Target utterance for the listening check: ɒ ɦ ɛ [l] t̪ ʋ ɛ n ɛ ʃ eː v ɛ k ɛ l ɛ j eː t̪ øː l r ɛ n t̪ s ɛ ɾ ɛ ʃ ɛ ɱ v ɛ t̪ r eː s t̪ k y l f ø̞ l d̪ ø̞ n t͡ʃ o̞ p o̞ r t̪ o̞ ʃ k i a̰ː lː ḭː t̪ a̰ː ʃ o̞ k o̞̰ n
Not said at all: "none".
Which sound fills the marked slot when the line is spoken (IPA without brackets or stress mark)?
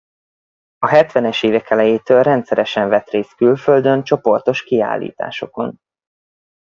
none